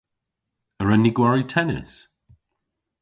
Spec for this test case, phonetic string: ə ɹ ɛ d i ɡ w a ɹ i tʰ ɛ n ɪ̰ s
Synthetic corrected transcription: ə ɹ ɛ n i ɡ w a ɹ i tʰ ɛ n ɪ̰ s